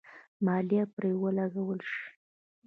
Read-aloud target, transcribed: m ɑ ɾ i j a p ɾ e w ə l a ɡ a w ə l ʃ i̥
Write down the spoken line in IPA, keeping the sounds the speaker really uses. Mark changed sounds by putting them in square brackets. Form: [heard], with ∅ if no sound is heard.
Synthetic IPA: m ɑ [l] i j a p ɾ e w ə l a ɡ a w ə l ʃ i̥